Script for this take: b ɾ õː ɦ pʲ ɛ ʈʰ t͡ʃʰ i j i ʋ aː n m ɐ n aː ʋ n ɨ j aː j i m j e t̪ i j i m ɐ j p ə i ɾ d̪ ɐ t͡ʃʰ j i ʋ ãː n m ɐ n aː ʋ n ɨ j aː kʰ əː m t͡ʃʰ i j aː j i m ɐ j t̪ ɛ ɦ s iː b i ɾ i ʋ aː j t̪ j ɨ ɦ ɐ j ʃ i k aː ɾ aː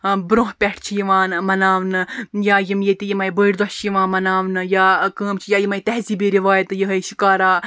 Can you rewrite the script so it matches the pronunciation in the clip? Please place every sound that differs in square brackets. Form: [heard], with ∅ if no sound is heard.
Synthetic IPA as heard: b ɾ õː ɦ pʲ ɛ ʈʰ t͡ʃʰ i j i ʋ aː n m ɐ n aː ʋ n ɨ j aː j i m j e t̪ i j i m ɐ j [b] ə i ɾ d̪ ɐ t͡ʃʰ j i ʋ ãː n m ɐ n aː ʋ n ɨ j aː [k] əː m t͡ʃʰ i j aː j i m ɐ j t̪ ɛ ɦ [z] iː b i ɾ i ʋ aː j t̪ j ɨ ɦ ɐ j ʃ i k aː ɾ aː